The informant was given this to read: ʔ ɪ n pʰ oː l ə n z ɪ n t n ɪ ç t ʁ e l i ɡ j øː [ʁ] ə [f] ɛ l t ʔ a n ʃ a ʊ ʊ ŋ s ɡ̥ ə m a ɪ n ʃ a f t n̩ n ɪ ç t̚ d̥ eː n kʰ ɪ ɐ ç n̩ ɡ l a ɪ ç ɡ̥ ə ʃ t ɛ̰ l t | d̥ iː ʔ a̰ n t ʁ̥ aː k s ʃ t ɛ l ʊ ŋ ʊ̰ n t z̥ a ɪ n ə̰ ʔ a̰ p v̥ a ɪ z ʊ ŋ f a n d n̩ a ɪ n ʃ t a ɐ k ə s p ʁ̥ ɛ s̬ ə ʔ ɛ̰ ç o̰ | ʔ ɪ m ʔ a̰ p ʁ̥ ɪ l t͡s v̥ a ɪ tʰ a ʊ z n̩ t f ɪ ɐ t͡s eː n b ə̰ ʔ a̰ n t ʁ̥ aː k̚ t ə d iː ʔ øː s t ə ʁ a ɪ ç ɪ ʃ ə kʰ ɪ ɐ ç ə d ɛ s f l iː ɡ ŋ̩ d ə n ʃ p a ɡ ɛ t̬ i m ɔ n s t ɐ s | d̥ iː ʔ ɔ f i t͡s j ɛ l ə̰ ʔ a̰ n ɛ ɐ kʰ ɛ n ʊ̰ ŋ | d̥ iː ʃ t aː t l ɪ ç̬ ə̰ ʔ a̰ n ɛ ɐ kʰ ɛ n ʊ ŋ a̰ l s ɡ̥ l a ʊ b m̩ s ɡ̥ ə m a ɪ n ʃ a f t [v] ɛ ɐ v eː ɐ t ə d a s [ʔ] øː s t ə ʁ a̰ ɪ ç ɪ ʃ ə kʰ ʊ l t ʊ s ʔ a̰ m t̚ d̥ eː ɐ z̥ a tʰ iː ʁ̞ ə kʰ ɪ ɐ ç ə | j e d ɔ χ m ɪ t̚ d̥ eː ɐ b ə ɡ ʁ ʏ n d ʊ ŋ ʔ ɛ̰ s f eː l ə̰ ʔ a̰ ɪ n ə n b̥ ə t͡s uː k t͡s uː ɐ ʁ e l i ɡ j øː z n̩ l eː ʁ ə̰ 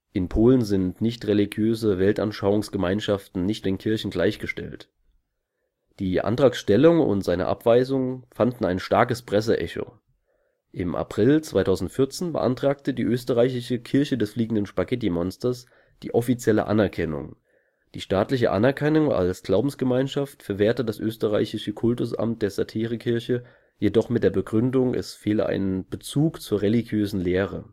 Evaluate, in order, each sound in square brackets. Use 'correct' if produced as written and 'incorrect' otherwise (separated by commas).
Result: incorrect, incorrect, incorrect, correct